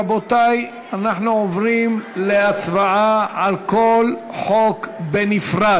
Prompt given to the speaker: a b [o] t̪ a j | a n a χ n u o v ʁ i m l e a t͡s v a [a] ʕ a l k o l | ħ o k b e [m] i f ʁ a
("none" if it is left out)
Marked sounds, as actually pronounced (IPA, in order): o, a, n

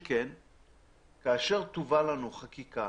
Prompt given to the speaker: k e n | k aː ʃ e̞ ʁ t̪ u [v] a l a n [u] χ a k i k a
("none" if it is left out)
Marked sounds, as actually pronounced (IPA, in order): v, u

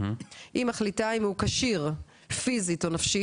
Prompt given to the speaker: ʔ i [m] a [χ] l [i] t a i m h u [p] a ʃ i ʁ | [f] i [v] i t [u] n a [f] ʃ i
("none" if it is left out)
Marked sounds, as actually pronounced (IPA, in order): m, χ, i, k, f, z, o, f

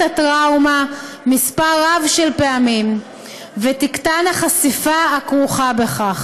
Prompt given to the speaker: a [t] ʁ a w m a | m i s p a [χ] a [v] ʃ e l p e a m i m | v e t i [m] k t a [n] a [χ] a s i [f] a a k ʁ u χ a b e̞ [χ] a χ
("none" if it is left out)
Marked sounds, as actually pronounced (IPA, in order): t, ʁ, v, none, n, χ, f, χ

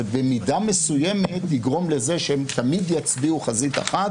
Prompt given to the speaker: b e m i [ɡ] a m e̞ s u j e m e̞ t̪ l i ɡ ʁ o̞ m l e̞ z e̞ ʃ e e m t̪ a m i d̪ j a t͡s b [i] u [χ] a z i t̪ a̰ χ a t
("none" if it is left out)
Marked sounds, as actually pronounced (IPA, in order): d, i, χ

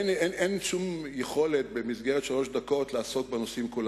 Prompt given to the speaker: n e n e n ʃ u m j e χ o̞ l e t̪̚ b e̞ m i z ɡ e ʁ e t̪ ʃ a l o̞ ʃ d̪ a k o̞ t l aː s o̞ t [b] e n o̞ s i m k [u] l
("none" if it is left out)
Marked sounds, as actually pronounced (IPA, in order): b, u

